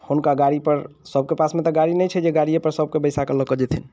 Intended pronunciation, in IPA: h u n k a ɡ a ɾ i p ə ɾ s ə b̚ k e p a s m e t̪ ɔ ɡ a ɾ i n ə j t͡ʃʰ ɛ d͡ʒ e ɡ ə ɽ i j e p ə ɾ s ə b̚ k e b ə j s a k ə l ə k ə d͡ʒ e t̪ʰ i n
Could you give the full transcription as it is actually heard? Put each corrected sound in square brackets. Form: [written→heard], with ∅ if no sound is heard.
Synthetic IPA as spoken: h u n k a ɡ a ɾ i p ə ɾ s ə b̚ k e p a s m e t̪ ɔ ɡ a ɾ i n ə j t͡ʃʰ ɛ d͡ʒ e ɡ [ə→a] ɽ i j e p ə ɾ s ə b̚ k e b ə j s a k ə l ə k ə d͡ʒ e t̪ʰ i n